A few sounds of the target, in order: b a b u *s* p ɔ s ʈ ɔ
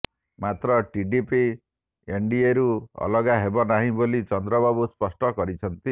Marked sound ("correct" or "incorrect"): correct